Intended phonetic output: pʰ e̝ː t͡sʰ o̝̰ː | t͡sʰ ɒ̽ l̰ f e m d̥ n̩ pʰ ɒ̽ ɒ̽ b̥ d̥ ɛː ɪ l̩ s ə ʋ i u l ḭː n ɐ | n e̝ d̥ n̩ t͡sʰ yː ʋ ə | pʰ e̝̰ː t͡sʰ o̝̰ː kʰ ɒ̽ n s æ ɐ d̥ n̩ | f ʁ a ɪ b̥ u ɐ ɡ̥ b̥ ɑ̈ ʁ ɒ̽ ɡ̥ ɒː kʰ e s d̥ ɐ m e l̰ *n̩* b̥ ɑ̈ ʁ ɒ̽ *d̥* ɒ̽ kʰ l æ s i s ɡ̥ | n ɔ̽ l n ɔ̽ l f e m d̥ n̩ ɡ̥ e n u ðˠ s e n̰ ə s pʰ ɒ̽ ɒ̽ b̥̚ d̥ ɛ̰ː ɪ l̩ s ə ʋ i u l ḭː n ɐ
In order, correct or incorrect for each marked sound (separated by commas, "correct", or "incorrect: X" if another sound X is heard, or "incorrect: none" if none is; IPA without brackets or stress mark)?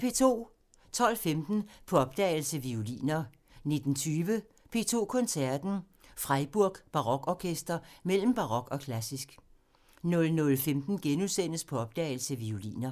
incorrect: m̩, incorrect: ɡ̥